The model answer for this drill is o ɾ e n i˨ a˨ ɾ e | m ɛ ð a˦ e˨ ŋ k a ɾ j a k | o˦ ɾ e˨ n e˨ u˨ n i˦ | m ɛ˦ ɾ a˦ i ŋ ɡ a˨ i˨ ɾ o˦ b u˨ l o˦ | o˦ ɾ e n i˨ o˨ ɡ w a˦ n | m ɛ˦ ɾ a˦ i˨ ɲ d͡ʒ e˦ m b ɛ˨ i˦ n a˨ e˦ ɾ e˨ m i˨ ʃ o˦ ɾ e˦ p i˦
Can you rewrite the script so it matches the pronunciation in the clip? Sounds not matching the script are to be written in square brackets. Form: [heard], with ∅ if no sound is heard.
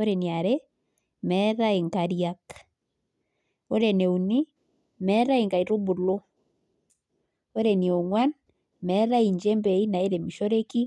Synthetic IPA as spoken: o ɾ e n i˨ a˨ ɾ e | m ɛ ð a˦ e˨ ŋ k a ɾ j a k | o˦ ɾ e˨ n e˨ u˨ n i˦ | m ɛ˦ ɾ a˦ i ŋ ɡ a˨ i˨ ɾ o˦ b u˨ l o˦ | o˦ ɾ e n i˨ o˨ [ŋ] w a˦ n | m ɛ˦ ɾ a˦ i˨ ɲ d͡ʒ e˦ m b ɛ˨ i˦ n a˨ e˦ ɾ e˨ m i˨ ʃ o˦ ɾ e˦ [k] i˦